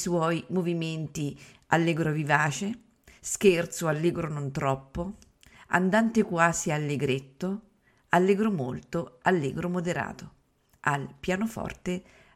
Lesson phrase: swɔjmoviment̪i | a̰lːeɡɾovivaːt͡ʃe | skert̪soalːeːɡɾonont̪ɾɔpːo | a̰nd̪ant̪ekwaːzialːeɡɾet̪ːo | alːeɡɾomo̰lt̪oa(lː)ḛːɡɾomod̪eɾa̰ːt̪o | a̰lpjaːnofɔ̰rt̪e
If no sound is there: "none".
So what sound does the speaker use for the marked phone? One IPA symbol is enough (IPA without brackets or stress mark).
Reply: lː